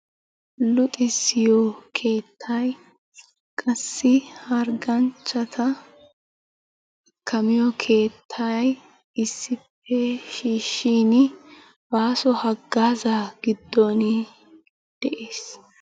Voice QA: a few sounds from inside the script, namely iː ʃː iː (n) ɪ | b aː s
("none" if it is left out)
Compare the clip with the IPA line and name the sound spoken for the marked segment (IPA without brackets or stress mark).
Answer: n